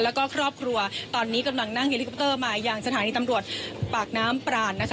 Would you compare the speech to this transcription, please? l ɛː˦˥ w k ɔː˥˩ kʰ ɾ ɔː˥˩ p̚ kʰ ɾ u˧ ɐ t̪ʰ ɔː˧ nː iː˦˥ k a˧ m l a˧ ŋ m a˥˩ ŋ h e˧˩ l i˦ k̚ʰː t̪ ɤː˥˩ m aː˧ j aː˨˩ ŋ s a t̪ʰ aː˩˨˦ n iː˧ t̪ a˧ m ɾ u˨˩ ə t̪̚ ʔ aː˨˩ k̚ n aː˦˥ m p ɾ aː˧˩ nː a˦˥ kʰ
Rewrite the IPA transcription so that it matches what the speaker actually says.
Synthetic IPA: l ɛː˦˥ w k ɔː˥˩ kʰ ɾ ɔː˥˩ p̚ kʰ ɾ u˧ ɐ t̪ ɔː˧ nː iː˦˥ k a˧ m l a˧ ŋ n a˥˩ ŋ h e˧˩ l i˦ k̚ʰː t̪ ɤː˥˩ m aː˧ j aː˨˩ ŋ s a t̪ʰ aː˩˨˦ n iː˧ t̪ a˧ m ɾ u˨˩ ə t̪̚ p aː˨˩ k̚ n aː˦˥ m p ɾ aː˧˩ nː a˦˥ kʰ